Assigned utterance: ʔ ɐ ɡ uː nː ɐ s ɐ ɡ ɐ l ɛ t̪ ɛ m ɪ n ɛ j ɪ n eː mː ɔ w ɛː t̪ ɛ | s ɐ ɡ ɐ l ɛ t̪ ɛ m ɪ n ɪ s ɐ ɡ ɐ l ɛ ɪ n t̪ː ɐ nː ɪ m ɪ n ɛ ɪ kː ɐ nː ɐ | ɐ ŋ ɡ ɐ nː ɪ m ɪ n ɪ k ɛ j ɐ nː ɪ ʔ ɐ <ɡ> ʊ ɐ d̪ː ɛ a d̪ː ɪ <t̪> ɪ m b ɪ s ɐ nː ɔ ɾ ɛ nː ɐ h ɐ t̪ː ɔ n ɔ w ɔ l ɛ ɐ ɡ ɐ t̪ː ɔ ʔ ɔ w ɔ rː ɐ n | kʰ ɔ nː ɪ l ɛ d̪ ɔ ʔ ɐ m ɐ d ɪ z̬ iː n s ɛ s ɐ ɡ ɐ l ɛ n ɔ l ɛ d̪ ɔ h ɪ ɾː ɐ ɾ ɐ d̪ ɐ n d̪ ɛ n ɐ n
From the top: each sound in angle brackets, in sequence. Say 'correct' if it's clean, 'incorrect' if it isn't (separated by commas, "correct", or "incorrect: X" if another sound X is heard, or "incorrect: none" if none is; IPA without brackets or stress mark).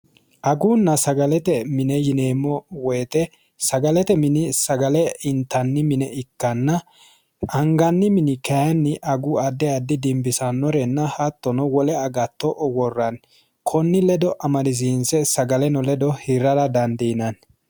correct, incorrect: d̪